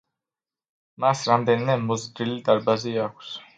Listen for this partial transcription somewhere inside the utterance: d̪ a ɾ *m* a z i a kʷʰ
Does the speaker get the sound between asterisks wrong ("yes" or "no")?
yes